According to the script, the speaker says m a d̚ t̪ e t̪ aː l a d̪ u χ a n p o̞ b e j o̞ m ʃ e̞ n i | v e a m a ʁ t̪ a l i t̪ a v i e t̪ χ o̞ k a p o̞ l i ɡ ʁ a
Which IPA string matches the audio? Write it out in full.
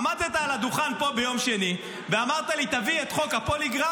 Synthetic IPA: m a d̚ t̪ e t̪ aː l a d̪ u χ a n p o̞ b e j o̞ m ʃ e̞ n i | v e a m a ʁ t̪ a l i t̪ a v i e t̪ χ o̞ k a p o̞ l i ɡ ʁ a

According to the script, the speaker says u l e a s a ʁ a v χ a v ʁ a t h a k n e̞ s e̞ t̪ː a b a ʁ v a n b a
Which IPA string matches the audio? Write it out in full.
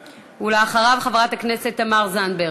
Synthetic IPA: u l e a χ a ʁ a v χ a v ʁ a t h a k n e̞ s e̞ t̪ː a m a ʁ z a n b e

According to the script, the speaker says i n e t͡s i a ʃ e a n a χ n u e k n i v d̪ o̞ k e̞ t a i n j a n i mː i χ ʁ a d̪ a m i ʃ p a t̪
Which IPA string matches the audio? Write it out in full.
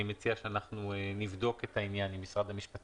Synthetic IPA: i m e t͡s i a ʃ e a n a χ n u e n i v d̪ o̞ k e̞ t a i n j a n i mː i s ʁ a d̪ a m i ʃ p a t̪

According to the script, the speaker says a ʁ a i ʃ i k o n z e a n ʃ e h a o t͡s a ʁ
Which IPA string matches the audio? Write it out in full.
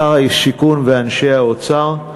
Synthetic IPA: a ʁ a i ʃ i k u n v e a n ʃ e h a o t͡s a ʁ

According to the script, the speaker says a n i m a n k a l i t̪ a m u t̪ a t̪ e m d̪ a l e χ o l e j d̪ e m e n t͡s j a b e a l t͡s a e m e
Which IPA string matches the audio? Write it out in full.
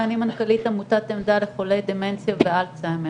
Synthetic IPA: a n i m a n k a l i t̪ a m u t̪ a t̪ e m d̪ a l e χ o l e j d̪ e m e n t͡s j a v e a l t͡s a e m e

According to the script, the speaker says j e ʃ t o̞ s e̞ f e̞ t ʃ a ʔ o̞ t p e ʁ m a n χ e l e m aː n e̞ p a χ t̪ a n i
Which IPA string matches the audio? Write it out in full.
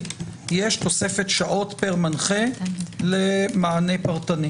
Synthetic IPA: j e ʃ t o̞ s e̞ f e̞ t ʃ a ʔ o̞ t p e ʁ m a n χ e l e m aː n e̞ p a ʁ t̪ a n i

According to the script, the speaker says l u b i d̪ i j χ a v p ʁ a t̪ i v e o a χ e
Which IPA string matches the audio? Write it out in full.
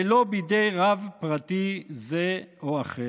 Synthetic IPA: l o b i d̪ e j ʁ a v p ʁ a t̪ i z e o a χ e

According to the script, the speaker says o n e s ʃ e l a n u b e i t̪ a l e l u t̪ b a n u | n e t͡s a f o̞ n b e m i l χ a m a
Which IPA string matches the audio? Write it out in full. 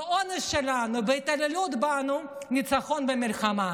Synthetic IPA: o n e s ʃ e l a n u b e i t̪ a l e l u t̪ b a n u | n i t͡s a χ o̞ n b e m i l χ a m a

